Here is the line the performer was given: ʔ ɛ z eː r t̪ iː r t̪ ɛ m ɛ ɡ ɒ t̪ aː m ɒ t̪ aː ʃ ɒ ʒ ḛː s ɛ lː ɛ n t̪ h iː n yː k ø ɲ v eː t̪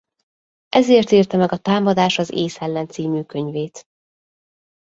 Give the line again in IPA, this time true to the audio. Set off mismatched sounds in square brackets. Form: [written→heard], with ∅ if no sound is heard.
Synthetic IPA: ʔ ɛ z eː r t̪ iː r t̪ ɛ m ɛ ɡ ɒ t̪ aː m ɒ [t̪→d̪] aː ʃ ɒ [ʒ→z] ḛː s ɛ lː ɛ n t̪ [h→s] iː [n→m] yː k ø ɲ v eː t̪